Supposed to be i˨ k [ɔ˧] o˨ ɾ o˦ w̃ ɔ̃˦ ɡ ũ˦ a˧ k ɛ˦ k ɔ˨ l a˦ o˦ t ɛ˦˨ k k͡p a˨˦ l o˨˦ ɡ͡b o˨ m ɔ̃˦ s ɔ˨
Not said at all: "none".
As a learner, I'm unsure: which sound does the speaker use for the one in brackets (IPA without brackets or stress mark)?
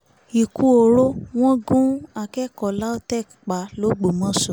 u˧